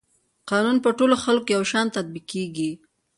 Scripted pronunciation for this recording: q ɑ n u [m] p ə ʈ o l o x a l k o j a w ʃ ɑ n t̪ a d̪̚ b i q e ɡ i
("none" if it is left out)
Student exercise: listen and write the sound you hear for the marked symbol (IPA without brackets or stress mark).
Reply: n